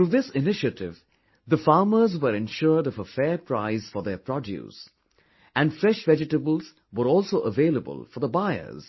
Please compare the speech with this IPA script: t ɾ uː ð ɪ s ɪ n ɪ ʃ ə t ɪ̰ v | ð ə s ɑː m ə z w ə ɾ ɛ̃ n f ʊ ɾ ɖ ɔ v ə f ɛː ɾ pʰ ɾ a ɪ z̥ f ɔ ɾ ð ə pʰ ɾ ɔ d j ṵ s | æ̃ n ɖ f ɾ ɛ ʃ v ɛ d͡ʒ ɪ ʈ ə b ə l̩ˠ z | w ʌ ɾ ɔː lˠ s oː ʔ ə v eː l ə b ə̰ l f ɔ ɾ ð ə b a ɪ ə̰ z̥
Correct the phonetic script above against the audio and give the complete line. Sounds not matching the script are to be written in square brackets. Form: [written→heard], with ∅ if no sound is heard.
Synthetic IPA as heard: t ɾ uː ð ɪ s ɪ n ɪ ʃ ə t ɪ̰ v | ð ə [s→f] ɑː m ə z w ə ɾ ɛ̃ n [f→ʃ] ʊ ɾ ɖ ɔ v ə f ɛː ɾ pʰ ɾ a ɪ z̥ f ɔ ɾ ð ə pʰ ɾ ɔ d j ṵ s | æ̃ n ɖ f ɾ ɛ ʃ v ɛ d͡ʒ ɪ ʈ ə b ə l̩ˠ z | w [ʌ→ə] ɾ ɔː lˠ s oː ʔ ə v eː l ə b ə̰ l f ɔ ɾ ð ə b a ɪ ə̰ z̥